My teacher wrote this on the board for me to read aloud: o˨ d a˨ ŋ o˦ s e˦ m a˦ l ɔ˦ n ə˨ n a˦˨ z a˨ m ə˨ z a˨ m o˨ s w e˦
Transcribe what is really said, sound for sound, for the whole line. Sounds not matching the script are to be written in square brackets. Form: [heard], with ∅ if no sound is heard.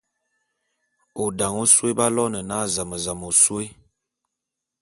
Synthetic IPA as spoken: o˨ d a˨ ŋ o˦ s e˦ [b] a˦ l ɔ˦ n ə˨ n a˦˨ z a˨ m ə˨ z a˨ m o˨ s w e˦